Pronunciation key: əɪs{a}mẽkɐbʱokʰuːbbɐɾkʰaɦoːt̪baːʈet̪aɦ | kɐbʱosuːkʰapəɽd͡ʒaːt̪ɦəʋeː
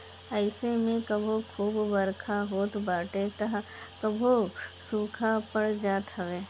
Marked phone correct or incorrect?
incorrect